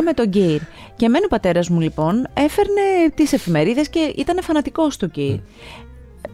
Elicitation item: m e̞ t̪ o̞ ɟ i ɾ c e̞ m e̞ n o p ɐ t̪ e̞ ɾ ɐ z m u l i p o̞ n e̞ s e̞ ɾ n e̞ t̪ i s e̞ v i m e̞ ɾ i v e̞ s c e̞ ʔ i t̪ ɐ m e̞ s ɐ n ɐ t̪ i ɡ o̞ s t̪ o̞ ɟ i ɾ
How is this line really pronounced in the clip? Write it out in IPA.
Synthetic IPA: m e̞ t̪ o̞ ɟ i ɾ c e̞ m e̞ n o p ɐ t̪ e̞ ɾ ɐ z m u l i p o̞ n e̞ f e̞ ɾ n e̞ t̪ i s e̞ f i m e̞ ɾ i ð e̞ s c e̞ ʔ i t̪ ɐ n e̞ f ɐ n ɐ t̪ i k o̞ s t̪ o̞ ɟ i ɾ